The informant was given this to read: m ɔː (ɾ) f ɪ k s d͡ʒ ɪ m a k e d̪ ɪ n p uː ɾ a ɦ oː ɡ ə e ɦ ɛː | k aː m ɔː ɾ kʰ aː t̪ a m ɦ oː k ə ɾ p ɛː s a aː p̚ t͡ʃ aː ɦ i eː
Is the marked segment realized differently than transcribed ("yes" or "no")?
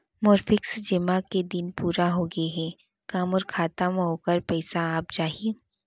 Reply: no